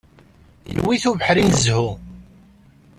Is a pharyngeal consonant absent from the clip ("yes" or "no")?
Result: no